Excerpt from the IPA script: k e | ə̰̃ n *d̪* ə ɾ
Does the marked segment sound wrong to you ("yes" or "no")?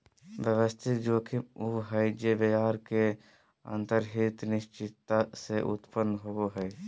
yes